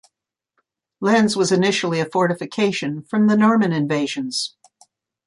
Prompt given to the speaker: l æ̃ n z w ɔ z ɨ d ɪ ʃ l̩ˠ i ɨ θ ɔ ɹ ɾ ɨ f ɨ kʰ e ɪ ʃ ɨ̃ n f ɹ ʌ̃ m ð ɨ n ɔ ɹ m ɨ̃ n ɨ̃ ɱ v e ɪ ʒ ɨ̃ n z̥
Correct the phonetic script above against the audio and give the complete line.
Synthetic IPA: l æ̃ n z w ʌ z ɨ n ɪ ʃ l̩ˠ i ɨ f ɔ ɹ ɾ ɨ f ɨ kʰ e ɪ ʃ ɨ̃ n f ɹ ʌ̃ m ð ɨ n ɔ ɹ m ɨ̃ n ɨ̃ ɱ v e ɪ ʒ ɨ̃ n z̥